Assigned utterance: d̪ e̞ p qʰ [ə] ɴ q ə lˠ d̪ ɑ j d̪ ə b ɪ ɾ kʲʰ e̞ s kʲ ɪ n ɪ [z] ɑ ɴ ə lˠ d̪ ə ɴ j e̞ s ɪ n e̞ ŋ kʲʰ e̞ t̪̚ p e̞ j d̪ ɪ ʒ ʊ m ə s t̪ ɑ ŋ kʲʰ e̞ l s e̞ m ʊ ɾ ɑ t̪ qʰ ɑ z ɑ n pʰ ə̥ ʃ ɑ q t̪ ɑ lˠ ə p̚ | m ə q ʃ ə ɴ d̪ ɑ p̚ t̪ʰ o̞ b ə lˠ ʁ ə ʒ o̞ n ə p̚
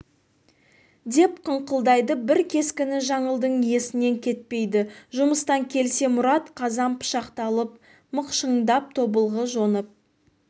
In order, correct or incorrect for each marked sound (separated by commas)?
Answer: correct, incorrect